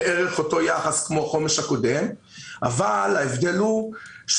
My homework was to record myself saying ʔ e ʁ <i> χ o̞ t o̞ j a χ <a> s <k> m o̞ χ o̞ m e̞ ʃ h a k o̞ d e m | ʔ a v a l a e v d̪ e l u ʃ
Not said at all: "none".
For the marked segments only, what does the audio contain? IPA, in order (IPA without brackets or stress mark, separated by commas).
e, a, k